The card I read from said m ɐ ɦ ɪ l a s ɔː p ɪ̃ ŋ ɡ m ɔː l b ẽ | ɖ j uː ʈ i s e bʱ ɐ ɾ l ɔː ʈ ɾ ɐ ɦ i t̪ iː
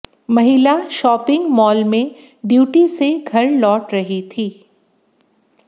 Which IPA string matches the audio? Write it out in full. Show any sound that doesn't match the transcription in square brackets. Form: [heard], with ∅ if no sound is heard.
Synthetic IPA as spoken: m ɐ ɦ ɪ l a [ʃ] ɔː p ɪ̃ ŋ ɡ m ɔː l [m] ẽ | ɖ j uː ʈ i s e [ɡʱ] ɐ ɾ l ɔː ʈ ɾ ɐ ɦ i [t̪ʰ] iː